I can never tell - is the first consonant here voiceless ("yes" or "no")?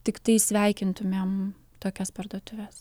yes